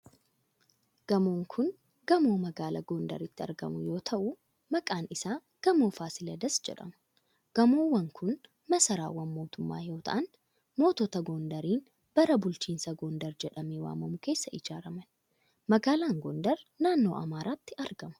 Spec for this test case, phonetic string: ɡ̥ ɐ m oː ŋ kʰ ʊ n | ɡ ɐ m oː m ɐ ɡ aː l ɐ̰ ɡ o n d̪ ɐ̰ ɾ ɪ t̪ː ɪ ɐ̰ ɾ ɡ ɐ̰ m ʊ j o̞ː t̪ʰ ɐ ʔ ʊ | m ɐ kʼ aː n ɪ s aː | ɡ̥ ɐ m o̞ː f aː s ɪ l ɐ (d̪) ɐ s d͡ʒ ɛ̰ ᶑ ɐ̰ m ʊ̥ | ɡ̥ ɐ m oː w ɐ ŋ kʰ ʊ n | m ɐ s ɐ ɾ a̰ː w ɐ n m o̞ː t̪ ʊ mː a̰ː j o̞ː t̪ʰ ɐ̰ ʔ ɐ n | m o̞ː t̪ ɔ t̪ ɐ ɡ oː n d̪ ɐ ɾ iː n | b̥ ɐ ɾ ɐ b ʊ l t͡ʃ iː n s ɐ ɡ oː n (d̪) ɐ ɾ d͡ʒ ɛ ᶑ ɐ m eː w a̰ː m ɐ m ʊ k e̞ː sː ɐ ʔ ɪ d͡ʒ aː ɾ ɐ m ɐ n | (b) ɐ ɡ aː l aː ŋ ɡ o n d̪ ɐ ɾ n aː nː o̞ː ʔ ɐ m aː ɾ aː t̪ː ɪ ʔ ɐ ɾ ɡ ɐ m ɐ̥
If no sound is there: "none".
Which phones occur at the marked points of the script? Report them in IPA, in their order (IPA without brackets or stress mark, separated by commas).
d̪, d̪, m